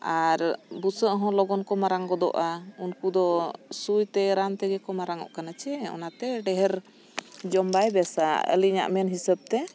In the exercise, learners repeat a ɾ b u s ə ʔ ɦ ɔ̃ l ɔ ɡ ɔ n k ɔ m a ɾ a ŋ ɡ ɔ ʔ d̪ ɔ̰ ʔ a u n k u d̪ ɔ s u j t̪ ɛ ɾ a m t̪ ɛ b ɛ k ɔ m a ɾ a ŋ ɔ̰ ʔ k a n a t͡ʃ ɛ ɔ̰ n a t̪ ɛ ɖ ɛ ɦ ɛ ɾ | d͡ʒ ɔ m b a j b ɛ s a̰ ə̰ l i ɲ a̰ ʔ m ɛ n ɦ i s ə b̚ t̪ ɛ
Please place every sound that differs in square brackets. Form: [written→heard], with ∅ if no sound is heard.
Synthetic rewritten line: a ɾ b u s ə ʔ ɦ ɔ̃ l ɔ ɡ ɔ n k ɔ m a ɾ a ŋ ɡ ɔ [ʔ→∅] d̪ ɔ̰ ʔ a u n k u d̪ ɔ s u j t̪ ɛ ɾ a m t̪ ɛ [b→ɡ] ɛ k ɔ m a ɾ a ŋ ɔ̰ ʔ k a n a t͡ʃ ɛ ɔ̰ n a t̪ ɛ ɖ ɛ ɦ ɛ ɾ | d͡ʒ ɔ m b a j b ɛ s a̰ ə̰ l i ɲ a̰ ʔ m ɛ n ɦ i s ə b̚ t̪ ɛ